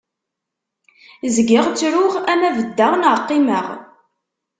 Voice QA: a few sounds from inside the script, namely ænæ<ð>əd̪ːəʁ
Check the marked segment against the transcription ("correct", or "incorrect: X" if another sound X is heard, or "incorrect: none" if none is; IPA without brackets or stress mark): incorrect: v